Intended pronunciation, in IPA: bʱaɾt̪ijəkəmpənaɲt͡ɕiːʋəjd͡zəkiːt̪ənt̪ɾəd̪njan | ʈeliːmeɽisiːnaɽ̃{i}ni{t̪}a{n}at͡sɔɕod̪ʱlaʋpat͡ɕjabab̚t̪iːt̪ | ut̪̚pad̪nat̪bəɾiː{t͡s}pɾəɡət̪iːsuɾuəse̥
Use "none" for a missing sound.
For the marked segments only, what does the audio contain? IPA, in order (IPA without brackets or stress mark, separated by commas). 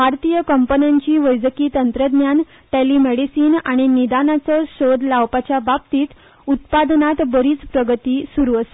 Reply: i, d̪, n, t͡s